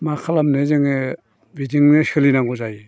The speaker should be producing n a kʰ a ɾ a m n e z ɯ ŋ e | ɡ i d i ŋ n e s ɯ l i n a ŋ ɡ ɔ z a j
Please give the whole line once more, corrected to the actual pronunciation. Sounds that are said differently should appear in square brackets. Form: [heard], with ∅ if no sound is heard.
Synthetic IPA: [m] a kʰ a [l] a m n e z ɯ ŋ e | [b] i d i ŋ n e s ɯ l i n a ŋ ɡ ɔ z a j